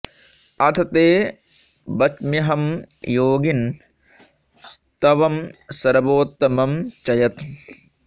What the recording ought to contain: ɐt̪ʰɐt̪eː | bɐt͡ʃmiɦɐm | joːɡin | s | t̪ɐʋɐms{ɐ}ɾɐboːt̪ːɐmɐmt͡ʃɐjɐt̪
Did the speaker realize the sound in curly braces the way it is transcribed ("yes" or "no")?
yes